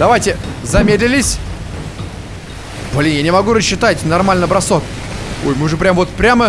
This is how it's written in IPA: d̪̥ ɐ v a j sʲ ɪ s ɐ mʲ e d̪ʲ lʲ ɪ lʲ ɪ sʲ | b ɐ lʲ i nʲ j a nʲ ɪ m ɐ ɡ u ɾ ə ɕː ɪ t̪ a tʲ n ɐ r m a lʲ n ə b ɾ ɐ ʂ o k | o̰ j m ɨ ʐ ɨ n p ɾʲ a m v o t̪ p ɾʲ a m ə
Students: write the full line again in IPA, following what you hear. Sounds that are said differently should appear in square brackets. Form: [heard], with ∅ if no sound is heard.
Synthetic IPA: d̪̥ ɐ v a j [tʲ] ɪ [z] ɐ mʲ e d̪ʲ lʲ ɪ lʲ ɪ sʲ | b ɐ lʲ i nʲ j a nʲ ɪ m ɐ ɡ u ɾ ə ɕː ɪ t̪ a tʲ n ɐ r m a lʲ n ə b ɾ ɐ [s] o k | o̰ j m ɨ ʐ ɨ [∅] p ɾʲ a m v o t̪ p ɾʲ a m ə